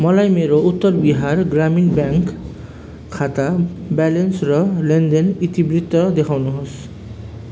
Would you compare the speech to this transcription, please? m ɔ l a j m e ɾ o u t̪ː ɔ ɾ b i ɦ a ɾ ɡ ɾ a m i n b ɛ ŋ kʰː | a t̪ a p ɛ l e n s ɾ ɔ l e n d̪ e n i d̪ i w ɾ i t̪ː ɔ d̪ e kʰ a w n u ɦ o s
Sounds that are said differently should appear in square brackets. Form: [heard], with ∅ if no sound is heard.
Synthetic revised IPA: m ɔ l a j m e ɾ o u t̪ː ɔ ɾ b i ɦ a ɾ ɡ ɾ a m i n b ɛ ŋ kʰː | a t̪ a [b] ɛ l e n s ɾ ɔ l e n d̪ e n i [t̪] i [b] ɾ i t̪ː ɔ d̪ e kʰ a w n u ɦ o s

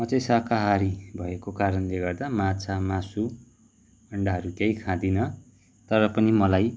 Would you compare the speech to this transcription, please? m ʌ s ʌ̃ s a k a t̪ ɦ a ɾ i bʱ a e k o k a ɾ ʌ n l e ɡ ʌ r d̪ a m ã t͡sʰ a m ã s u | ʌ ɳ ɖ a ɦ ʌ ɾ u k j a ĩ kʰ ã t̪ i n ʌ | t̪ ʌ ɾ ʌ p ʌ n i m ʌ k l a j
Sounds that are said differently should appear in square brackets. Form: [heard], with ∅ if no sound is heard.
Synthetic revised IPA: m ʌ [t͡s] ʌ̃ s a k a [∅] ɦ a ɾ i bʱ [ʌ] e k o k a ɾ ʌ n l e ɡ ʌ r d̪ a m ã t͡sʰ a m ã s u | ʌ ɳ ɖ a ɦ ʌ ɾ u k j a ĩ kʰ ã [d̪] i n ʌ | t̪ ʌ ɾ ʌ p ʌ n i m ʌ [∅] l a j

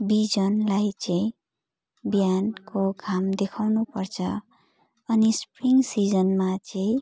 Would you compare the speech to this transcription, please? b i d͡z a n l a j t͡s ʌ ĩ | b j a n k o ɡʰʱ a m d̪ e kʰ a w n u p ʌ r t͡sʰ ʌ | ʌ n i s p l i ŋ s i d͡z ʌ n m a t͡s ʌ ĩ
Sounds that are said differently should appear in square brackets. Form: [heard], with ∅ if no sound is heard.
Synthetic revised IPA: b i d͡z [ʌ] n l a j t͡s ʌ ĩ | b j a n k o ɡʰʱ a m d̪ e kʰ a w n u p ʌ r t͡sʰ ʌ | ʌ n i s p [r] i ŋ s i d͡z ʌ n m a t͡s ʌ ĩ

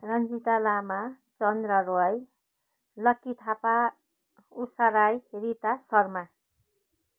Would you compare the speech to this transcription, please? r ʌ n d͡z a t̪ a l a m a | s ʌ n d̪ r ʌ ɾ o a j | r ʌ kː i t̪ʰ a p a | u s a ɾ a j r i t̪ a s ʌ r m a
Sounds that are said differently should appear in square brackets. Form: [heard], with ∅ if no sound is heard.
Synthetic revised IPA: r ʌ n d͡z [i] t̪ a l a m a | [t͡s] ʌ n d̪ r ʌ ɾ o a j | [l] ʌ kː i t̪ʰ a p a | u s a ɾ a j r i t̪ a s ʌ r m a

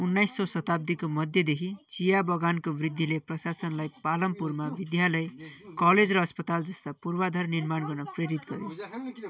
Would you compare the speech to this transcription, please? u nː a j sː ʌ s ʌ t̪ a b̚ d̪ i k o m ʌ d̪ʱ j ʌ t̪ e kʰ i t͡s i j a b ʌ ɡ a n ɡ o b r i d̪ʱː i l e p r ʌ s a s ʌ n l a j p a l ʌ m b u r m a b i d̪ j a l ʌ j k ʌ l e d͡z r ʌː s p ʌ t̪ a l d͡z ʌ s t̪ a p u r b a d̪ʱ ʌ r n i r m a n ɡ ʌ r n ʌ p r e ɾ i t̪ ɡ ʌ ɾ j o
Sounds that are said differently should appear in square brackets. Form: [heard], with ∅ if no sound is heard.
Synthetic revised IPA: u nː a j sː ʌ s ʌ t̪ a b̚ d̪ i k o m ʌ d̪ʱ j ʌ [d̪] e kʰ i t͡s i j a b ʌ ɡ a n [k] o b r i d̪ʱː i l e p r ʌ s a s ʌ n l a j p a l ʌ m [p] u r m a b i d̪ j a l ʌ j k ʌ l e d͡z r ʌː s p ʌ t̪ a l d͡z ʌ s t̪ a p u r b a d̪ʱ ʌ r n i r m a n ɡ ʌ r n ʌ p r e ɾ i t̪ ɡ ʌ ɾ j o

